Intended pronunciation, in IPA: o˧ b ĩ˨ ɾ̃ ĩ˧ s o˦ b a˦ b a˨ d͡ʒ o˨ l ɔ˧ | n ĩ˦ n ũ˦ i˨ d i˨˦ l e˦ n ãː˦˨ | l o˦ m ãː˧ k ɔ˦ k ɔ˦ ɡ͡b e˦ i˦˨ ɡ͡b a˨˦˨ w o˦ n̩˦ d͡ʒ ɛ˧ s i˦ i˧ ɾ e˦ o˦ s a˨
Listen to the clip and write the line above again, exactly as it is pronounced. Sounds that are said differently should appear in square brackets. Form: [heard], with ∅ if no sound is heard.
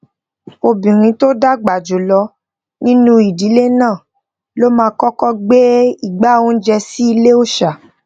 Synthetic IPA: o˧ b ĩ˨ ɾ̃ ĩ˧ [t] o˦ [d] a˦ [ɡ͡b] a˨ d͡ʒ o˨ l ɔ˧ | n ĩ˦ n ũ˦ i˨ d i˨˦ l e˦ n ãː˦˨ | l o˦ m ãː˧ k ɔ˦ k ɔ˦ ɡ͡b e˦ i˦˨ ɡ͡b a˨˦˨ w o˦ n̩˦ d͡ʒ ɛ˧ s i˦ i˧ [l] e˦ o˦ [ʃ] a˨